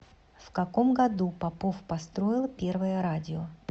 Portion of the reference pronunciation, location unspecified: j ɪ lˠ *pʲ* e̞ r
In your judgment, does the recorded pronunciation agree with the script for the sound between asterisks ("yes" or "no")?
yes